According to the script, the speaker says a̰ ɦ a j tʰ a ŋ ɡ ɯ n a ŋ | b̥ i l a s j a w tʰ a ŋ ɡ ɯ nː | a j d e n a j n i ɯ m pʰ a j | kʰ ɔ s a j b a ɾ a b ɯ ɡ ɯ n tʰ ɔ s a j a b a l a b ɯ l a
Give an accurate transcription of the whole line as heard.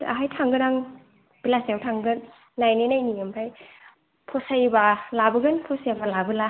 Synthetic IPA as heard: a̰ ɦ a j tʰ a ŋ ɡ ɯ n a ŋ | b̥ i l a s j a w tʰ a ŋ ɡ ɯ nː | a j n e n a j n i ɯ m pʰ a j | pʰ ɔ s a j b a l a b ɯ ɡ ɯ n pʰ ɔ s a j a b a l a b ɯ l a